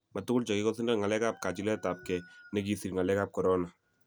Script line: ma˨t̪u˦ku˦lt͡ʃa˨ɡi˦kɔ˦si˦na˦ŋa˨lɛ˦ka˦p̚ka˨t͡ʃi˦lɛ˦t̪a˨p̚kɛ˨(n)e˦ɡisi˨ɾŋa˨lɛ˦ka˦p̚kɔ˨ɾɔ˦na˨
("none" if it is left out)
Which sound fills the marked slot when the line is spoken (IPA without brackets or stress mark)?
n